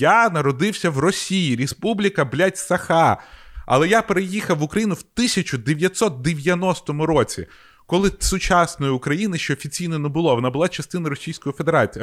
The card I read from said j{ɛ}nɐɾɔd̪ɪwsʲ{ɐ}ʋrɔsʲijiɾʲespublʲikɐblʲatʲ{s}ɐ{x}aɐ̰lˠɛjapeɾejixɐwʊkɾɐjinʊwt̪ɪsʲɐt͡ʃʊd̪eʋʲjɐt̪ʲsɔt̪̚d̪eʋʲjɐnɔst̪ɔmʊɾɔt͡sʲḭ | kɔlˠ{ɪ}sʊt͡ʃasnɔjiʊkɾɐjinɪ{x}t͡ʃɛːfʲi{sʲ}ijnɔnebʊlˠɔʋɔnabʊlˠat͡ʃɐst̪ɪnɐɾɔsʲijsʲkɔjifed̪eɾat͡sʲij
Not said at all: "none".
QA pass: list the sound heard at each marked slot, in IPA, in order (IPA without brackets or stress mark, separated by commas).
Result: a, ɐ, s, x, ɪ, ʃ, t͡sʲ